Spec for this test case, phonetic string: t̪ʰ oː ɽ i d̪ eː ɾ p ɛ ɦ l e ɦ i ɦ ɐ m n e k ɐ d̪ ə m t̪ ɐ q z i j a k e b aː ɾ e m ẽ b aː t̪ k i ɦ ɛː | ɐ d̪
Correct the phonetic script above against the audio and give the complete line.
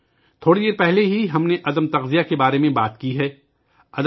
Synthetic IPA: t̪ʰ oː ɽ i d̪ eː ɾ p ɛ ɦ l e ɦ i ɦ ɐ m n e ʔ ɐ d̪ ə m t̪ ɐ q z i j a k e b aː ɾ e m ẽ b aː t̪ k i ɦ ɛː | ɐ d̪

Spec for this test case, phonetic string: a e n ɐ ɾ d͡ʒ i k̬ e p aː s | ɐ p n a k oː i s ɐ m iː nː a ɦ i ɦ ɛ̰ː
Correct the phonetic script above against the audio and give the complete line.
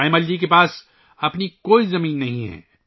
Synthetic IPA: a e m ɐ l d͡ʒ i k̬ e p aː s | ɐ p n i k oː i z ɐ m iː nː ɐ ɦ ĩ ɦ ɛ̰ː

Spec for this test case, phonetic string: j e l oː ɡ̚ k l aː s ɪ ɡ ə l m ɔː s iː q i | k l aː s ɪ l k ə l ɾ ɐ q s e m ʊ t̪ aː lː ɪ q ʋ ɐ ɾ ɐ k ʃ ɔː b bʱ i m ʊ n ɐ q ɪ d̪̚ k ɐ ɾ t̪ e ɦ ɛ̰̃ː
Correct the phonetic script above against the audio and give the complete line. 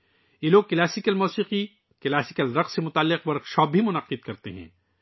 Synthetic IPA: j e l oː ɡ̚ k l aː s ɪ k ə l m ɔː s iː q i | k l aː s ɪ k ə l ɾ ɐ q s e m ʊ t̪ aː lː ɪ q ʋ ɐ ɾ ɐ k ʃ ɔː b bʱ i m ʊ n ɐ q ɪ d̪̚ k ɐ ɾ t̪ e ɦ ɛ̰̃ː

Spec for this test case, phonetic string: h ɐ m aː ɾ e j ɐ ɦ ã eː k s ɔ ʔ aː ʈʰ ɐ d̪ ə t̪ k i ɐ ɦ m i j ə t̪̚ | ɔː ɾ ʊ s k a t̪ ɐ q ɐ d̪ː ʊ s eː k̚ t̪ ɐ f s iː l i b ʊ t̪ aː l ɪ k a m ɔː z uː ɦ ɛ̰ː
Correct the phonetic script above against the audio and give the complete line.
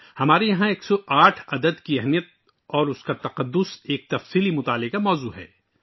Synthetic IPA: h ɐ m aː ɾ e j ɐ ɦ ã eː k s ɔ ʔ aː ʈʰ ɐ d̪ ə d̪ k i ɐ ɦ m i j ə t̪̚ | ɔː ɾ ʊ s k a t̪ ɐ q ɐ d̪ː ʊ s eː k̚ t̪ ɐ f s iː l i m ʊ t̪ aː l ɪ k a m ɔː z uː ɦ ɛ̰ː

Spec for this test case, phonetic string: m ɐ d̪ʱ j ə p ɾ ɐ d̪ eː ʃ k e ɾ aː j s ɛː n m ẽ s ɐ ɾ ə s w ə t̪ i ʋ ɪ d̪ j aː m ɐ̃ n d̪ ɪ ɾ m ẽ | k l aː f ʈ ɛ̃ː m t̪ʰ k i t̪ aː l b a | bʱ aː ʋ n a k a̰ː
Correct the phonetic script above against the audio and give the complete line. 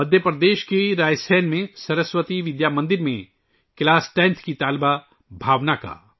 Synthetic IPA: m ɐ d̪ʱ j ə p ɾ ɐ d̪ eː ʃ k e ɾ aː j s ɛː n m ẽ s ɐ ɾ ə s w ə t̪ i ʋ ɪ d̪ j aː m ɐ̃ n d̪ ɪ ɾ m ẽ | k l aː s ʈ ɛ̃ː n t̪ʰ k i t̪ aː l b a | bʱ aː ʋ n a k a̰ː

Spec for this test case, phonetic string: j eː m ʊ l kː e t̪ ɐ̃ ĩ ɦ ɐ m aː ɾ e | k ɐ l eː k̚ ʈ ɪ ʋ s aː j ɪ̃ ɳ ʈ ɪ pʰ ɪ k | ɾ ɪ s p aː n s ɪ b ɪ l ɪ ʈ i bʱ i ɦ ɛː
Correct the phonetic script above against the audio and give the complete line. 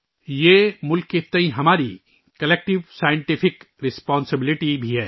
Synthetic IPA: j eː m ʊ l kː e t̪ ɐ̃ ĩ ɦ ɐ m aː ɾ i | k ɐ l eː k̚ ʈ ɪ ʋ s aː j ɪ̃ ɳ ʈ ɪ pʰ ɪ k | ɾ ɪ s p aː n s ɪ b ɪ l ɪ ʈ i bʱ i ɦ ɛː

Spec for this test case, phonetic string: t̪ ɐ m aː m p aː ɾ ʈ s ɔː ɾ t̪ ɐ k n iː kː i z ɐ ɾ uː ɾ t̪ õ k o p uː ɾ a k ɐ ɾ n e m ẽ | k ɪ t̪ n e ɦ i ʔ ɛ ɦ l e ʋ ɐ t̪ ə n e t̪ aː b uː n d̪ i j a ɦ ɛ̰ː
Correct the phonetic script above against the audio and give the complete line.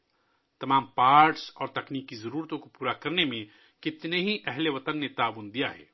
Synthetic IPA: t̪ ɐ m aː m p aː ɾ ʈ s ɔː ɾ t̪ ɐ k n iː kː i z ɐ ɾ uː ɾ t̪ õ k o p uː ɾ a k ɐ ɾ n e m ẽ | k ɪ t̪ n e ɦ i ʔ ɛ ɦ l e ʋ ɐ t̪ ə nː e t̪ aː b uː n d̪ i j a ɦ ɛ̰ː

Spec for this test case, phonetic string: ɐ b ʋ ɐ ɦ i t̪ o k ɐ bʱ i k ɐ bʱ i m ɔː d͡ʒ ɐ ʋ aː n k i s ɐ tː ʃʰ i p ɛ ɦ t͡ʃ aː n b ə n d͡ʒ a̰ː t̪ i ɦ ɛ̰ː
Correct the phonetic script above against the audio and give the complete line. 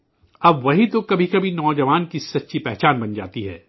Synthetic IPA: ɐ b ʋ ɐ ɦ i t̪ o k ɐ bʱ i k ɐ bʱ i n ɔː d͡ʒ ɐ ʋ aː n k i s ɐ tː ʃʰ i p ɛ ɦ t͡ʃ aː n b ɐ n d͡ʒ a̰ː t̪ i ɦ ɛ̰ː

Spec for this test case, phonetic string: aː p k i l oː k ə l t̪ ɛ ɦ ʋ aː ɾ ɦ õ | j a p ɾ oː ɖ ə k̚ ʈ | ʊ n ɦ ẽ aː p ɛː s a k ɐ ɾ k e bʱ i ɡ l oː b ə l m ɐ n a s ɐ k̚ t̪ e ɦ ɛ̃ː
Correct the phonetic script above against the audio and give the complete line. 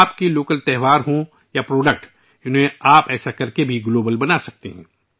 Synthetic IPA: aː p k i l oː k ə l t̪ ɛ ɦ ʋ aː ɾ ɦ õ | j a p ɾ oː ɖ ə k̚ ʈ | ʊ n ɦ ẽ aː p ɛː s a k ɐ ɾ k e bʱ i ɡ l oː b ə l b ɐ n a s ɐ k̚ t̪ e ɦ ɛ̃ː

